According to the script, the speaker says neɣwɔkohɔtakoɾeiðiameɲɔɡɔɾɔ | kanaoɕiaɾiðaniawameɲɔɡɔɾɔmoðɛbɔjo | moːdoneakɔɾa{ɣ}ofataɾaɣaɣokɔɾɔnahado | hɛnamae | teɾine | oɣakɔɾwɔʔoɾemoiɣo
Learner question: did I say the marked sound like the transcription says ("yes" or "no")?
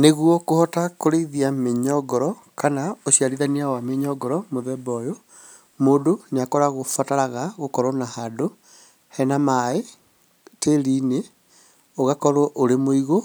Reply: yes